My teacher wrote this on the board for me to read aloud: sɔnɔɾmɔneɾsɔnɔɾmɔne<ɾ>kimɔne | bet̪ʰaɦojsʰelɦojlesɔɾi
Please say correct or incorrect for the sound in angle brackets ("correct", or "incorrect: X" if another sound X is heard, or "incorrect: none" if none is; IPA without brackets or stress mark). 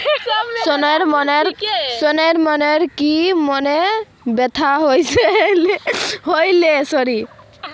correct